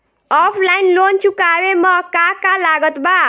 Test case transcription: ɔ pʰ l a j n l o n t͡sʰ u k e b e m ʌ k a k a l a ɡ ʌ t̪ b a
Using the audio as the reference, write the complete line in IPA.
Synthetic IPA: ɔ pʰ l a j n l o n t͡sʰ u k a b e m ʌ k a k a l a ɡ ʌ t̪ b a